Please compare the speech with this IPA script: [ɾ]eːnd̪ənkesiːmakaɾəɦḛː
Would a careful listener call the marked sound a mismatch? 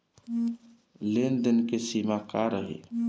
yes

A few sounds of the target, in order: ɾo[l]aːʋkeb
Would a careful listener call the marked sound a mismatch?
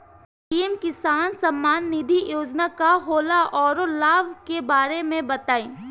no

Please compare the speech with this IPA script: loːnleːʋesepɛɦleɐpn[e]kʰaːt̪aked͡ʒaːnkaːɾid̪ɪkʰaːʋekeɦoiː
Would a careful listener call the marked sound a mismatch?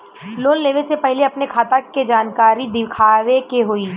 no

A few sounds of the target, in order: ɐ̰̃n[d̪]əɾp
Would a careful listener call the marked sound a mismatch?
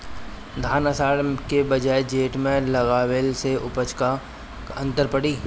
yes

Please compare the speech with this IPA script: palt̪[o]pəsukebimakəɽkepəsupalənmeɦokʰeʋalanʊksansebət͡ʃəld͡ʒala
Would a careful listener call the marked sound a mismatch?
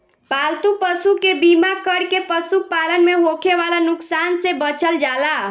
yes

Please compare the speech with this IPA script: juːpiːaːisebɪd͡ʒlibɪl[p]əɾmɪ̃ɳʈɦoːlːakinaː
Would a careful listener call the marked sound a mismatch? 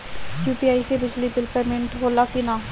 no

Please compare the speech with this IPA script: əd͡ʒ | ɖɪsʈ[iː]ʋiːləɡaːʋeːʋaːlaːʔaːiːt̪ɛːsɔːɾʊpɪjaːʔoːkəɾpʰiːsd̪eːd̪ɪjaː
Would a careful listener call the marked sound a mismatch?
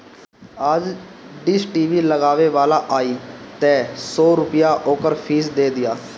no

